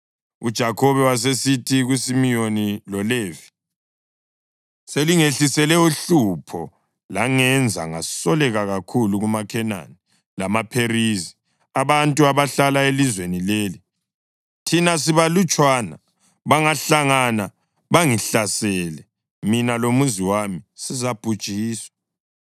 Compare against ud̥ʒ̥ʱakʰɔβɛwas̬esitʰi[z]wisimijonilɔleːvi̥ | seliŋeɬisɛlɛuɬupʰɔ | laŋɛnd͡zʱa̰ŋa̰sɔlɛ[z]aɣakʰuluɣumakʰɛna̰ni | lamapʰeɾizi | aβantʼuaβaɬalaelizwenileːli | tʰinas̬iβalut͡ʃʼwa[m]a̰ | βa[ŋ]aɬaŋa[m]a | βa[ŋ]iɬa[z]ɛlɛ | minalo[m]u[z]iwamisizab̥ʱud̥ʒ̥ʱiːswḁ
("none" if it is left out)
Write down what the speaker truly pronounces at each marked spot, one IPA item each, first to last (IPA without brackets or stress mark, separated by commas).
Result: ɣ, ɣ, n, ŋ, n, ŋ, s, m, z